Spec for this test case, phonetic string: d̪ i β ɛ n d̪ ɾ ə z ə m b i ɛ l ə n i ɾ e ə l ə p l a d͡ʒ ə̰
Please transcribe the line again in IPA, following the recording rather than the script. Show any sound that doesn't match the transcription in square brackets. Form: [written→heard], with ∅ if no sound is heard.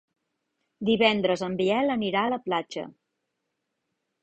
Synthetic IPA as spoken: d̪ i β ɛ n d̪ ɾ ə z ə m b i ɛ l ə n i ɾ [e→a] ə l ə p l a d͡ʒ ə̰

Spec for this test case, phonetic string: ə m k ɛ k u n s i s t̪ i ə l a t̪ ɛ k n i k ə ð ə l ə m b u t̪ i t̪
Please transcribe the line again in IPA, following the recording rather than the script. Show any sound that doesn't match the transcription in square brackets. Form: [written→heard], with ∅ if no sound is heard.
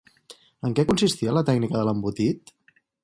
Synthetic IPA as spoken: ə [m→ŋ] k ɛ k u n s i s t̪ i ə l [a→ə] t̪ ɛ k n i k ə ð ə l ə m b u t̪ i t̪

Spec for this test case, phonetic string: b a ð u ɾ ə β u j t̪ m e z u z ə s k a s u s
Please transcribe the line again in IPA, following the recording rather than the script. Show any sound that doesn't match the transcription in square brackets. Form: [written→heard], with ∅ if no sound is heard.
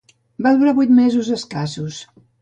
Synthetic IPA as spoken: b a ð u ɾ [ə→a] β u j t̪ m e z u z ə s k a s u s

